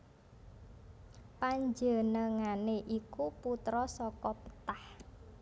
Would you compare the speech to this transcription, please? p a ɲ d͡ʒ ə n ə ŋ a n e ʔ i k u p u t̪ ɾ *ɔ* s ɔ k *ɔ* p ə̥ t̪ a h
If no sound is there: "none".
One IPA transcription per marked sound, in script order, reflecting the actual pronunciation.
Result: ɔ, ɔ

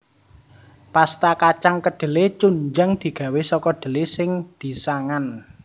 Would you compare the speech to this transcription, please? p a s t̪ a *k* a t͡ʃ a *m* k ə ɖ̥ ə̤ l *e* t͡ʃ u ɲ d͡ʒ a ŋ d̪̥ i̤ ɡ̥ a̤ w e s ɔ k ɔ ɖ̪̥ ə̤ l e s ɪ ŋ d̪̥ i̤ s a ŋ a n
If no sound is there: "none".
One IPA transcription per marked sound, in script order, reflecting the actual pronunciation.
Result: k, ŋ, e

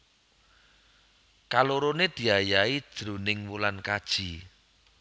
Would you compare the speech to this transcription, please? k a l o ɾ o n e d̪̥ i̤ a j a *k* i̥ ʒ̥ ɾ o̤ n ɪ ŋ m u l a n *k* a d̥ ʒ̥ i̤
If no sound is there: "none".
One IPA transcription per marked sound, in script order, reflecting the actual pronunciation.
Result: none, k

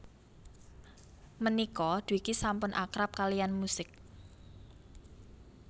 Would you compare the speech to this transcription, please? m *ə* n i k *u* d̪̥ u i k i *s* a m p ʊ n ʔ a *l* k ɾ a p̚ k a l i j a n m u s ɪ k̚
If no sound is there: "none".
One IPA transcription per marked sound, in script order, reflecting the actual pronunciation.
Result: ə, ɔ, s, none

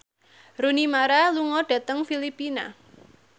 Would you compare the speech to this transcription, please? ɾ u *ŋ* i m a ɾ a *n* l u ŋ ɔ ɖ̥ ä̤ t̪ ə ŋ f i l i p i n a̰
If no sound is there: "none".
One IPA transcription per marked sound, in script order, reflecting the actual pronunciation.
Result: n, none

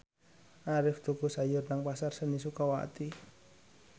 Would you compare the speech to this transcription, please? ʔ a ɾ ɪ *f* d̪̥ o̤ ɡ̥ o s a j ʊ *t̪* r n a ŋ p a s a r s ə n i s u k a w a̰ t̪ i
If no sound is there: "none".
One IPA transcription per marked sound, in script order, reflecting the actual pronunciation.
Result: f, none

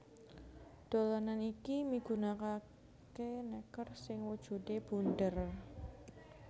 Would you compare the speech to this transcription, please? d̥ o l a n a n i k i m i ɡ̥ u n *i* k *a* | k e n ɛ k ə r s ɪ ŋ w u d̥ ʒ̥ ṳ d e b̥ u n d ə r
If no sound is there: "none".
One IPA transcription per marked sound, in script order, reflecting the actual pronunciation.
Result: a, a

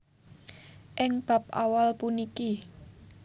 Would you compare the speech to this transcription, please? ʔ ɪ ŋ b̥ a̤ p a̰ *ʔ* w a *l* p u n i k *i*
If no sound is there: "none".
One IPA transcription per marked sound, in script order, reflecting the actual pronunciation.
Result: none, l, i

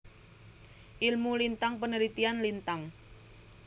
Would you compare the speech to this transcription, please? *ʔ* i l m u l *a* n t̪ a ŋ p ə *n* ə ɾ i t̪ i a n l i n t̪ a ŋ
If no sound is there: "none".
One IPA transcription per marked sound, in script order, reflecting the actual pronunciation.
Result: ʔ, i, n

